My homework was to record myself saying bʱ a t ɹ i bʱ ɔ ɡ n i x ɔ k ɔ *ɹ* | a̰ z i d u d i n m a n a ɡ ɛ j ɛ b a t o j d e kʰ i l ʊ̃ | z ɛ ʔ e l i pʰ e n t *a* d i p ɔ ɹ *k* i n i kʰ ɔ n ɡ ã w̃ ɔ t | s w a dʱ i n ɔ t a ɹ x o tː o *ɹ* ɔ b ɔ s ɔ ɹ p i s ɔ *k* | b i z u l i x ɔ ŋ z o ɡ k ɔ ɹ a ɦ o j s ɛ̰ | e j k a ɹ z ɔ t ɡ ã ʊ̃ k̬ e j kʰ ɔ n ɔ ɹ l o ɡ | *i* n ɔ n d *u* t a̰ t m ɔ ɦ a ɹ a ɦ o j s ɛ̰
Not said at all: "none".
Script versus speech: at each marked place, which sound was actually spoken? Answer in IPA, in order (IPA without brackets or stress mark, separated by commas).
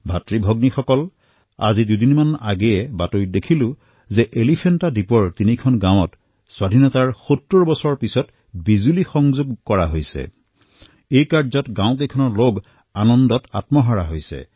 l, a, t, ɹ, t, a, ɔ